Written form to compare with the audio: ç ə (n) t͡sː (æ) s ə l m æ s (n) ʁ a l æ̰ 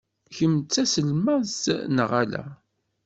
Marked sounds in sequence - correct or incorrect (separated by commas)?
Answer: incorrect, correct, correct